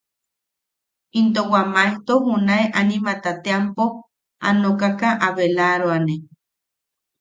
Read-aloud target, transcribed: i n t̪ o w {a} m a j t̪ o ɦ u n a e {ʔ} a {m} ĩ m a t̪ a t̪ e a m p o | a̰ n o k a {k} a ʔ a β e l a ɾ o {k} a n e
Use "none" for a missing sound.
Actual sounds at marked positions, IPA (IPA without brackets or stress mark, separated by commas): a, ʔ, n, k, none